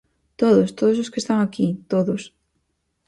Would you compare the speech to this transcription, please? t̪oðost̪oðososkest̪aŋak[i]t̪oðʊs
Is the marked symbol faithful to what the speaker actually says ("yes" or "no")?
yes